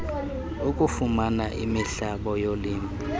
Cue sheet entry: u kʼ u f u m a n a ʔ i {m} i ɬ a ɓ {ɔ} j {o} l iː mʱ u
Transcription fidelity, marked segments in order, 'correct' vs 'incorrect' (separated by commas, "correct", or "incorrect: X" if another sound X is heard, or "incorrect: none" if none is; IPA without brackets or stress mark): correct, correct, correct